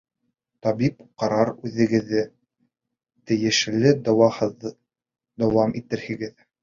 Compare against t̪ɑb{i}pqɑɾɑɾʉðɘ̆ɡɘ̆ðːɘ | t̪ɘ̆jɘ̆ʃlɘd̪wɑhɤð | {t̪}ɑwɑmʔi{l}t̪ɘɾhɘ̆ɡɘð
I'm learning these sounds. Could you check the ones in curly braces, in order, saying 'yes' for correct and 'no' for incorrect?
yes, no, no

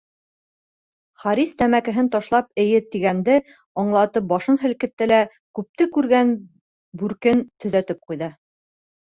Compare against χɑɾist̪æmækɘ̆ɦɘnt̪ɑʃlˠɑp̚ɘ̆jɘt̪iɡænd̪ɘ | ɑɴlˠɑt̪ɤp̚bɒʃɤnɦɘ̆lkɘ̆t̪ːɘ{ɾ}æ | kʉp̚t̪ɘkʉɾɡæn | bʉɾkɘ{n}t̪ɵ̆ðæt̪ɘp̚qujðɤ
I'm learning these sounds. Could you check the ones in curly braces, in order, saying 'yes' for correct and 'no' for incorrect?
no, yes

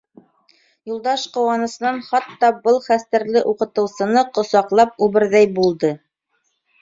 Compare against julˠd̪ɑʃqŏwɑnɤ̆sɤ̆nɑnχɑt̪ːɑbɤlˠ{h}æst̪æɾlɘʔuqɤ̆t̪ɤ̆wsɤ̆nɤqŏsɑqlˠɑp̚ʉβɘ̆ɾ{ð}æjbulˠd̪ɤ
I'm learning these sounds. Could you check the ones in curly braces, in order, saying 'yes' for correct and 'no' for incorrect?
no, yes

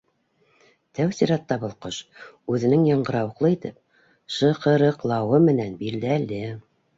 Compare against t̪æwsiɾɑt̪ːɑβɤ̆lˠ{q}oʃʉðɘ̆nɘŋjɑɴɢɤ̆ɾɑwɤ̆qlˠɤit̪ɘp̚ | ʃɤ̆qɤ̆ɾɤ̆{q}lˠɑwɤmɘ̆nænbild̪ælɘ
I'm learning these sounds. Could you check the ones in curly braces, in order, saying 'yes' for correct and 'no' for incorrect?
yes, yes

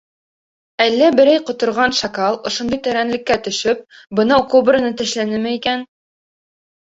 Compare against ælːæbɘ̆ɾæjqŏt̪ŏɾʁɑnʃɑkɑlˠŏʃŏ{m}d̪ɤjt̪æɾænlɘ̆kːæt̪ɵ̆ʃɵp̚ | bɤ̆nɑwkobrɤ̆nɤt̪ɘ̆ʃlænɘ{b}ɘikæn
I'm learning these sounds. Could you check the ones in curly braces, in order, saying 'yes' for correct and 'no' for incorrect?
no, no

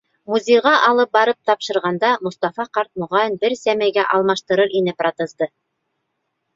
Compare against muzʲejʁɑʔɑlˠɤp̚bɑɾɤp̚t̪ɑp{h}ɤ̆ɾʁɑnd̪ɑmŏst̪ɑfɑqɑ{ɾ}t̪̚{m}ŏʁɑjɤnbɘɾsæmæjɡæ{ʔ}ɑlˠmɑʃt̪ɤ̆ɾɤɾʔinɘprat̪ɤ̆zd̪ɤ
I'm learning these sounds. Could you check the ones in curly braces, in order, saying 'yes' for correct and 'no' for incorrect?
no, yes, yes, yes

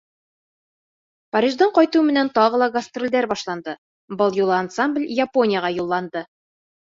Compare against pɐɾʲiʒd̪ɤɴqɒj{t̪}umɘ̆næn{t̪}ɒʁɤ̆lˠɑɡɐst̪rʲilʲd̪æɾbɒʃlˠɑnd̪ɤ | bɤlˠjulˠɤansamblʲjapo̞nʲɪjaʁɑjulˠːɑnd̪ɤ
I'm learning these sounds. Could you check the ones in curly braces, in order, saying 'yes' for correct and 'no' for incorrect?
yes, yes

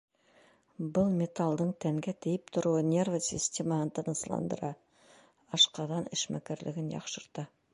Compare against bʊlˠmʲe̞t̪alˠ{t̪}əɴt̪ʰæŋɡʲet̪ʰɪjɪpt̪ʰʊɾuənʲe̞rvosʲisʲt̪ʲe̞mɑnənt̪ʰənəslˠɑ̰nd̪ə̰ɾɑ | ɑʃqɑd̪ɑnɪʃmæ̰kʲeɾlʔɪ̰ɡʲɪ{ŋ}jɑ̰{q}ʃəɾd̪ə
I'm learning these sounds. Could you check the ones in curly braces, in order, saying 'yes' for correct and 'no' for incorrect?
no, no, yes

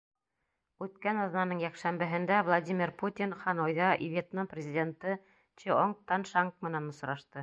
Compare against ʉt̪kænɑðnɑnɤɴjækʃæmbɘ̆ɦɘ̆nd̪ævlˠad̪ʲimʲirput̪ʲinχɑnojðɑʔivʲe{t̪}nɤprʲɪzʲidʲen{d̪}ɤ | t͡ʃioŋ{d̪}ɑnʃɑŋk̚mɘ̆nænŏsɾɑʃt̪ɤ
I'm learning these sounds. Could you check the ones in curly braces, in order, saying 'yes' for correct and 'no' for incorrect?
yes, no, no

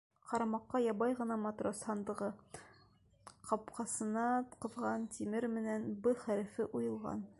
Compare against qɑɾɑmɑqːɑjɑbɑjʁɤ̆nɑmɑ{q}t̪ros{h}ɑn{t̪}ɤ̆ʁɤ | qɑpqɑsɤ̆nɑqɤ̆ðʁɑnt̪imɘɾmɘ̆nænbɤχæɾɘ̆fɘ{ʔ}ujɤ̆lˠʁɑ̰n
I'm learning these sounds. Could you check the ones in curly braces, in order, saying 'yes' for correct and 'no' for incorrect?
no, yes, no, yes

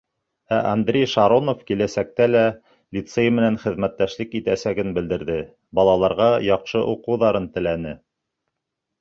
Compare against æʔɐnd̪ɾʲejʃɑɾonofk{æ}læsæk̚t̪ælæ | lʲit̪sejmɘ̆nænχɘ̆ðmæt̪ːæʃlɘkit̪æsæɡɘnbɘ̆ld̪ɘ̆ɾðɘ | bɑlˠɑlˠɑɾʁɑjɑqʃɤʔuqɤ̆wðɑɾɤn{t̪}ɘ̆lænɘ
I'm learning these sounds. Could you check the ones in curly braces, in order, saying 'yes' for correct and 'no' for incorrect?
no, yes

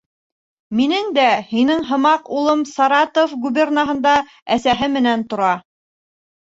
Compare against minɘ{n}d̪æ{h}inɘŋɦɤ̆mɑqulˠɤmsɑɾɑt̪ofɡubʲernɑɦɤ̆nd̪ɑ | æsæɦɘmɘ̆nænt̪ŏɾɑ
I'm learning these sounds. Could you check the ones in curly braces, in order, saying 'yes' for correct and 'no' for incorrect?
no, yes

